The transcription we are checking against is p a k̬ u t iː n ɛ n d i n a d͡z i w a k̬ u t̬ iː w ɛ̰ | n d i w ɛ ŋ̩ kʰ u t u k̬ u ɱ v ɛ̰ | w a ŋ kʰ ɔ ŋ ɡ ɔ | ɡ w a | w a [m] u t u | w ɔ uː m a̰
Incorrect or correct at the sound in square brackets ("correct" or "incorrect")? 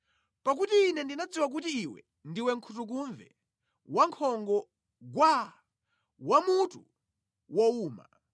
correct